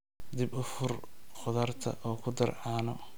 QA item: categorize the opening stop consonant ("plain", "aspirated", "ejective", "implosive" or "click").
plain